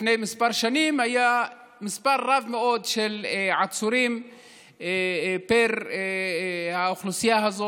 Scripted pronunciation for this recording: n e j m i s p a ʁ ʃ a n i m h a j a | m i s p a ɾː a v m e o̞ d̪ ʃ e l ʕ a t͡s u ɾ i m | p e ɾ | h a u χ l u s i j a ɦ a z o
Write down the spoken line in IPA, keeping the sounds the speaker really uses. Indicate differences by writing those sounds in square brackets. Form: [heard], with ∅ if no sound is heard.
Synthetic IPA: n e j m i s p a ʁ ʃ a n i m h a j a | m i s p a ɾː a v m e o̞ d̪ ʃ e l ʕ a t͡s u ɾ i m | p e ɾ | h a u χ l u s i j a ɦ a z o